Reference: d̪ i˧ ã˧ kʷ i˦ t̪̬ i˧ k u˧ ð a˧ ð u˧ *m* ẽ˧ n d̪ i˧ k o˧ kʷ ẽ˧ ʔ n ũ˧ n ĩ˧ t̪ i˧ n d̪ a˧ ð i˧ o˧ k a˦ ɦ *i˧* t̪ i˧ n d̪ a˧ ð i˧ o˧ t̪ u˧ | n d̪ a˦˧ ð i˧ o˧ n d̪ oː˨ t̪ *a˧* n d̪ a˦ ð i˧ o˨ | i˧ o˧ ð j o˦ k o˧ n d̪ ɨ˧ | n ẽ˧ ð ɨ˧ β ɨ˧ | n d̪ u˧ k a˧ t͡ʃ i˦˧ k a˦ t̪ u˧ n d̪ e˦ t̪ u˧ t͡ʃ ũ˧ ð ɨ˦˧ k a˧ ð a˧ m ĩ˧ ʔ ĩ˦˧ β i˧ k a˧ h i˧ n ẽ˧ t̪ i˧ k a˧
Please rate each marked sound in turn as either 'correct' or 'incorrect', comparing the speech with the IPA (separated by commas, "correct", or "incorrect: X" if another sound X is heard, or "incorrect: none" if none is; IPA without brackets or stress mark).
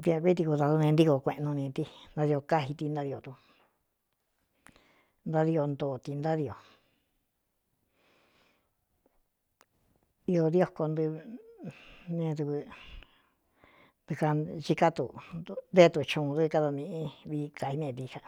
incorrect: n, correct, incorrect: i˧